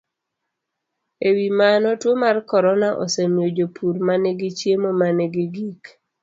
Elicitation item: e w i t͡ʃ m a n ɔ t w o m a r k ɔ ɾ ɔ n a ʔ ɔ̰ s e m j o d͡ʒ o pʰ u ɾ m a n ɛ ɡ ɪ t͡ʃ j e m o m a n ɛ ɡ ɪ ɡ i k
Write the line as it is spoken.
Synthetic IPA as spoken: e w i m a n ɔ t w o m a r k ɔ ɾ ɔ n a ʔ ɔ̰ s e m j o d͡ʒ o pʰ u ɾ m a n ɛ ɡ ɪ t͡ʃ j e m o m a n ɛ ɡ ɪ ɡ i k

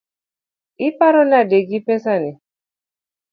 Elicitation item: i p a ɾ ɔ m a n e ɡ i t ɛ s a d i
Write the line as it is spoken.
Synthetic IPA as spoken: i p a ɾ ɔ n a d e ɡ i p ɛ s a n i

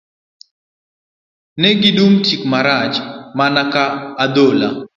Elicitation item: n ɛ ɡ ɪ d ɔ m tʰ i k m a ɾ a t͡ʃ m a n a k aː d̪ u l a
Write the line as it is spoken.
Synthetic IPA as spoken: n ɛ ɡ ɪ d u m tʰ i k m a ɾ a t͡ʃ m a n a k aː d̪ o l a

